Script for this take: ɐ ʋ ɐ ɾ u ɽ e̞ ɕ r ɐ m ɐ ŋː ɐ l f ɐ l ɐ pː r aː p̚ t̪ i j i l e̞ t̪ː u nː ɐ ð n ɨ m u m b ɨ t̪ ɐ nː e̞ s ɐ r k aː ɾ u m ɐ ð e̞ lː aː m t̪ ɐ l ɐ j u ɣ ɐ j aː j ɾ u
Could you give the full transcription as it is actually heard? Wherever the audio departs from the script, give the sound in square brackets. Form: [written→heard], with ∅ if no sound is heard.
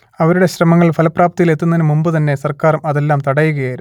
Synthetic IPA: ɐ ʋ ɐ ɾ u ɽ e̞ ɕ r ɐ m ɐ ŋː ɐ [l→ɭ] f ɐ l ɐ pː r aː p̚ t̪ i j i l e̞ t̪ː u nː ɐ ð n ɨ m u m b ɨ t̪ ɐ nː e̞ s ɐ r k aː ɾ u m ɐ ð e̞ lː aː m t̪ ɐ [l→ɽ] ɐ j u ɣ ɐ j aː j ɾ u